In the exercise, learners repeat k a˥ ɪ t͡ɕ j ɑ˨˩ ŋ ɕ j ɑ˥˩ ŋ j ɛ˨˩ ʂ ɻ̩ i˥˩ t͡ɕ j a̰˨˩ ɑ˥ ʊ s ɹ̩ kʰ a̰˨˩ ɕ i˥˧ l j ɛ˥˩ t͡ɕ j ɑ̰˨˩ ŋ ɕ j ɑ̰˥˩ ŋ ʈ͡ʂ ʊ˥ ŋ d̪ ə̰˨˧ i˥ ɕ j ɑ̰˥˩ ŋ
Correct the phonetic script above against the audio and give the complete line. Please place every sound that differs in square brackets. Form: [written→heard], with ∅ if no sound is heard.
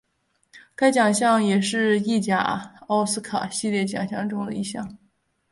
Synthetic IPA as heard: k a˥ ɪ t͡ɕ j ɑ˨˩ ŋ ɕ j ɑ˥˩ ŋ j ɛ˨˩ ʂ ɻ̩ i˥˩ t͡ɕ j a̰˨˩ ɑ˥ ʊ s ɹ̩ kʰ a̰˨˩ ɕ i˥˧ l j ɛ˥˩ t͡ɕ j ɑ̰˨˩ ŋ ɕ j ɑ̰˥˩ ŋ ʈ͡ʂ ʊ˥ ŋ d̪ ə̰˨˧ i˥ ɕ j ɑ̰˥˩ ŋ